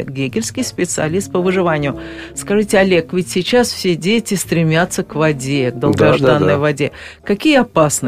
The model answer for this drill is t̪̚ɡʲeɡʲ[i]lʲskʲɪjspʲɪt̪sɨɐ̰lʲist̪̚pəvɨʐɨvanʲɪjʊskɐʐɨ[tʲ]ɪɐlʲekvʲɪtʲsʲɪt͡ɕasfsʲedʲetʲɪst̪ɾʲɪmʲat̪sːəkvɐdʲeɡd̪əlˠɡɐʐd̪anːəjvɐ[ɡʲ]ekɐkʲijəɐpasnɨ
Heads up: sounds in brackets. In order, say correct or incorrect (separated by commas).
incorrect, correct, incorrect